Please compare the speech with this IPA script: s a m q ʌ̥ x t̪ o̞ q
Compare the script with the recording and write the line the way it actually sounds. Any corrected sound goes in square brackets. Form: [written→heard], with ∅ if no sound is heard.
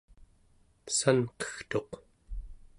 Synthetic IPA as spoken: s a [m→n] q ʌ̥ x t̪ o̞ q